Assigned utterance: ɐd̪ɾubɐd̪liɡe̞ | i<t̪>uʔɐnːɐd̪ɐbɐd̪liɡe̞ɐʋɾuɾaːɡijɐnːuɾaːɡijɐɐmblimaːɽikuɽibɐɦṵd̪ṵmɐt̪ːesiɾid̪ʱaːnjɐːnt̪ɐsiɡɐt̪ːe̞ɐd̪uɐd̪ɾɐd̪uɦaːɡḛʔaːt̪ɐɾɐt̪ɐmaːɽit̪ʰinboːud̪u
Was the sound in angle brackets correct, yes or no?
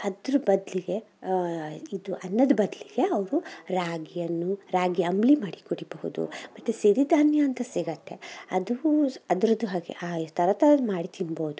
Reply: no